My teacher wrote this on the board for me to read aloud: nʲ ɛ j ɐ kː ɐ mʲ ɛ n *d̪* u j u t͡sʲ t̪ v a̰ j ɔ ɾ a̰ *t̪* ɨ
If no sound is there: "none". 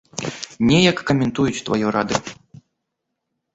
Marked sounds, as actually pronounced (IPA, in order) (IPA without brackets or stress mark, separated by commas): t̪, d̪